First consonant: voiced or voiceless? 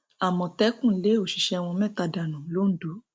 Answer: voiced